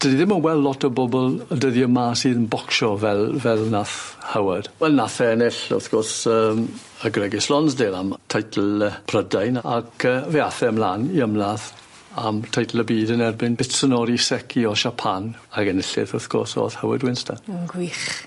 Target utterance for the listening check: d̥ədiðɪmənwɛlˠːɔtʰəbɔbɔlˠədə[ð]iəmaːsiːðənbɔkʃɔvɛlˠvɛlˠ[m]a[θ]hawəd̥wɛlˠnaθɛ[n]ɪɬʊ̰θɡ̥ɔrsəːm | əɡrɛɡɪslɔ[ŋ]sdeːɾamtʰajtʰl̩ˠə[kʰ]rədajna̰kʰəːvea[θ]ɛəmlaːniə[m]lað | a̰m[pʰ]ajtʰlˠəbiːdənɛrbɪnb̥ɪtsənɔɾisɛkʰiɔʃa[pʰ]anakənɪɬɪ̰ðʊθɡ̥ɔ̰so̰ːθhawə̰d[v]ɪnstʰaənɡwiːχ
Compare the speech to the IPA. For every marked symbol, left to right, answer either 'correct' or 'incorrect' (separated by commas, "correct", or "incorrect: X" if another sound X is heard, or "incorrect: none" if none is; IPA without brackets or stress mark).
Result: correct, incorrect: n, correct, correct, incorrect: n, incorrect: pʰ, correct, correct, incorrect: tʰ, correct, incorrect: w